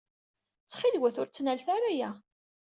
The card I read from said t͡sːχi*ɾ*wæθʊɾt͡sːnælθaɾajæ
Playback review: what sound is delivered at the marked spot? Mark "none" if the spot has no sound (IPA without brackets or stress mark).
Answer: l